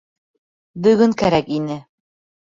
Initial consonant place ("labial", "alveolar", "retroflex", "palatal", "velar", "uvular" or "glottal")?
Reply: labial